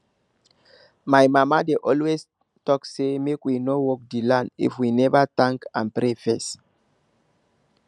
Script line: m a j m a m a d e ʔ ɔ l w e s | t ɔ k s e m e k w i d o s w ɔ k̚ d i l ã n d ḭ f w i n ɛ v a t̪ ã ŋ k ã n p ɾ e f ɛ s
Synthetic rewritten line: m a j m a m a d e ʔ ɔ l w e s | t ɔ k s e m e k w i n o w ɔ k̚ d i l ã n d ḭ f w i n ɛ v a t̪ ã ŋ k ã n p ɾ e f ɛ s